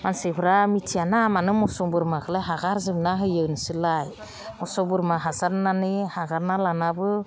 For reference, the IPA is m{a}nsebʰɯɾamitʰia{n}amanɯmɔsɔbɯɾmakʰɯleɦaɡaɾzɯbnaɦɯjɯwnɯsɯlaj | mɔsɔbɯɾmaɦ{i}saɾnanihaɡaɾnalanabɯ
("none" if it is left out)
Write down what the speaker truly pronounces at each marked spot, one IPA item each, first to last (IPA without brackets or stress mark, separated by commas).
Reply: a, n, a